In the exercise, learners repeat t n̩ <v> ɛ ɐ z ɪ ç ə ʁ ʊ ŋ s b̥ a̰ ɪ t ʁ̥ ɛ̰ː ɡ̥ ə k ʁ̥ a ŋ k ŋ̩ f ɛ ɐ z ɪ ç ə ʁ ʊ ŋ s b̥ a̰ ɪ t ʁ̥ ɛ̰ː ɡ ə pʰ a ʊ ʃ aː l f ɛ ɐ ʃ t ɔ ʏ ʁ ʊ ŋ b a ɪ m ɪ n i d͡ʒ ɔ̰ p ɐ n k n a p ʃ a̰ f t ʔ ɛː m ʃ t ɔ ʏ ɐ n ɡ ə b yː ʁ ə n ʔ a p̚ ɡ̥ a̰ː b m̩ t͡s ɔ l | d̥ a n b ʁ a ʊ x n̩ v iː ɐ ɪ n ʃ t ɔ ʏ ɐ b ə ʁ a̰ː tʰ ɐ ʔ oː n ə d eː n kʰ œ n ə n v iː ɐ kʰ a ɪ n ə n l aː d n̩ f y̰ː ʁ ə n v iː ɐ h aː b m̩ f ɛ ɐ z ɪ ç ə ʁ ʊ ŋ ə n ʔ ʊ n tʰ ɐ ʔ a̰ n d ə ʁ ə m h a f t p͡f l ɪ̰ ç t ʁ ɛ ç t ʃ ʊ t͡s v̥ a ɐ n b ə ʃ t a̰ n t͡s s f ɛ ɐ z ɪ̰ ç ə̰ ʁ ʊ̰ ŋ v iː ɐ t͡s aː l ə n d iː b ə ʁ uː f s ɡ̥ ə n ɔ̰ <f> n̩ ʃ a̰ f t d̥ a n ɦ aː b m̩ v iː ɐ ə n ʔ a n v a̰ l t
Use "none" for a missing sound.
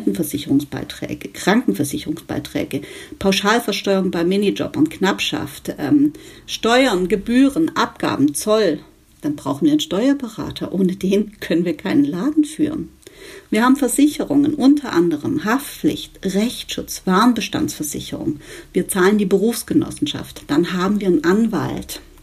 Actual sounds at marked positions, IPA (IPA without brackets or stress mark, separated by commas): f, s